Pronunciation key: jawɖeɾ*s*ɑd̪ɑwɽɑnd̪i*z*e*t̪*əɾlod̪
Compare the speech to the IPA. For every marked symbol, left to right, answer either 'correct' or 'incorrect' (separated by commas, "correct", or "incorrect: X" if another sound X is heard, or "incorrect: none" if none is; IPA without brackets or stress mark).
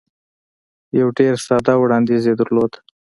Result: correct, correct, incorrect: d̪